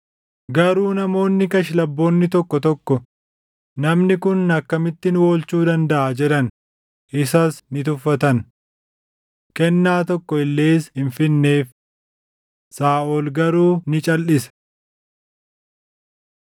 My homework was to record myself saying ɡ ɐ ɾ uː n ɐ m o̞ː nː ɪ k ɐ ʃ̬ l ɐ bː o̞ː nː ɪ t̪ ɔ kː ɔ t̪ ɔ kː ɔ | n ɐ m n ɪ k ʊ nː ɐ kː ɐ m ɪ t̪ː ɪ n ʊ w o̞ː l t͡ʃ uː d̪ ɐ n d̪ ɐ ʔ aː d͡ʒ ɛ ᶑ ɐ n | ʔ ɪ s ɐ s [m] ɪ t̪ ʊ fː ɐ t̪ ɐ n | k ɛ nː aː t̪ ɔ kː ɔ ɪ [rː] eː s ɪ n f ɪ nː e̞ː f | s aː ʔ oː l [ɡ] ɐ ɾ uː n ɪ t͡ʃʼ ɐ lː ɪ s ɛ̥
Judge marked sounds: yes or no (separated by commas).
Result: no, no, yes